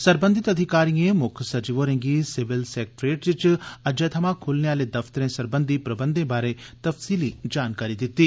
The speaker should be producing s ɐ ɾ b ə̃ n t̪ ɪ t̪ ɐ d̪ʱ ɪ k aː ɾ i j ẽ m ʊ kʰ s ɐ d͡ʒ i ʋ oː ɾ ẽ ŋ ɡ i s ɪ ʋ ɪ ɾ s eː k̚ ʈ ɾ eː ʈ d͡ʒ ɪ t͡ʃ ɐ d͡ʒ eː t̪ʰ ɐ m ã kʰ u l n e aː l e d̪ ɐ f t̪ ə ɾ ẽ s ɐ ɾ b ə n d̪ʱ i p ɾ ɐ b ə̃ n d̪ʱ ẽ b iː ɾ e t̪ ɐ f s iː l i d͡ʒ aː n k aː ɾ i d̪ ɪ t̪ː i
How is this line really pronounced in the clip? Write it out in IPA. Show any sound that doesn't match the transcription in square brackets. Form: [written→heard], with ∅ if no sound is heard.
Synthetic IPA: s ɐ ɾ b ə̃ n [t̪→d̪] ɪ t̪ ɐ d̪ʱ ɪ k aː ɾ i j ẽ m ʊ kʰ s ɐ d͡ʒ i ʋ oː ɾ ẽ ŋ ɡ i s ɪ ʋ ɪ [ɾ→l] s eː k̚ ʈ ɾ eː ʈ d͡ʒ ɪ t͡ʃ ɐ d͡ʒ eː t̪ʰ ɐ m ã kʰ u l n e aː l e d̪ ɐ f t̪ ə ɾ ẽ s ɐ ɾ b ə n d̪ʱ i p ɾ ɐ b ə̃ n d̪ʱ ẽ b [iː→aː] ɾ e t̪ ɐ f s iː l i d͡ʒ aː n k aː ɾ i d̪ ɪ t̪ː i